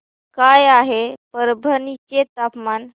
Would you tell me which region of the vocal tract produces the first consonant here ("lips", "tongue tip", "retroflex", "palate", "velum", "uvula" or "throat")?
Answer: velum